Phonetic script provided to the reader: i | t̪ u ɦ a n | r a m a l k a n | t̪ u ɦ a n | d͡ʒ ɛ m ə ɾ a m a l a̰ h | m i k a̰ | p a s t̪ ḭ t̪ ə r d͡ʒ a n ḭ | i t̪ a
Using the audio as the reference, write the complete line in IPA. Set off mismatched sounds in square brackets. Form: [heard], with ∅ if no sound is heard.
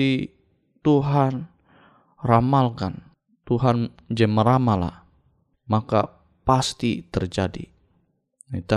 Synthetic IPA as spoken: i | t̪ u ɦ a n | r a m a l k a n | t̪ u ɦ a n | d͡ʒ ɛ m ə ɾ a m a l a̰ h | m [a] k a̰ | p a s t̪ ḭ t̪ ə r d͡ʒ a [d] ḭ | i t̪ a